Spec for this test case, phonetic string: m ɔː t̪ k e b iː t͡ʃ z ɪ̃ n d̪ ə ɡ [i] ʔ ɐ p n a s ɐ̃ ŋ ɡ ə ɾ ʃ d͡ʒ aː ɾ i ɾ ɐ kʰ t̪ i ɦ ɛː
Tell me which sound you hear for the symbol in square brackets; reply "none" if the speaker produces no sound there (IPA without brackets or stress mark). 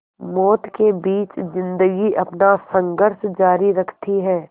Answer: i